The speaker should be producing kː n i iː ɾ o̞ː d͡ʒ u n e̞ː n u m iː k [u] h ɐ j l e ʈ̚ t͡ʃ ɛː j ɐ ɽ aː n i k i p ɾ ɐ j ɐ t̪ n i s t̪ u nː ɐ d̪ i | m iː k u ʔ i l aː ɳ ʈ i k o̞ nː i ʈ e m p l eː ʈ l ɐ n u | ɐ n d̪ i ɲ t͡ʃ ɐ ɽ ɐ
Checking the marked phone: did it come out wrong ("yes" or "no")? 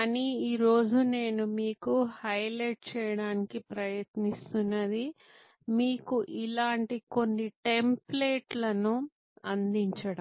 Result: no